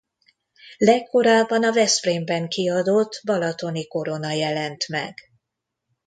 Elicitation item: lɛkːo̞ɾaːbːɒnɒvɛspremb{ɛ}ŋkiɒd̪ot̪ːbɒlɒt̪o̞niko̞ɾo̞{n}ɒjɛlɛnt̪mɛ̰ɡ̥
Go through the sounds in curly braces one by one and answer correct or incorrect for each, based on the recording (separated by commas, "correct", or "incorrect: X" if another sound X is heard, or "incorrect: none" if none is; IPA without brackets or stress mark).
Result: correct, correct